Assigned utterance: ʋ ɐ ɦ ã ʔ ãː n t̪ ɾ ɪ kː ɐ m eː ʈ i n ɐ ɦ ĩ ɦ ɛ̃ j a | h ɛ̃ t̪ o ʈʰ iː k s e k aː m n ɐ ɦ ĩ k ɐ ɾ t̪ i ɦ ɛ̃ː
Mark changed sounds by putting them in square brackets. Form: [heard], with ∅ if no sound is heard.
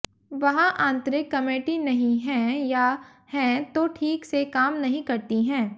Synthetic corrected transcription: ʋ ɐ ɦ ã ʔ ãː n t̪ ɾ ɪ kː ɐ m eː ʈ i n ɐ ɦ ĩ ɦ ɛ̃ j a | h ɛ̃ t̪ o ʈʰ iː k s e k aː m n ɐ ɦ ĩ k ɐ ɾ t̪ i ɦ ɛ̃ː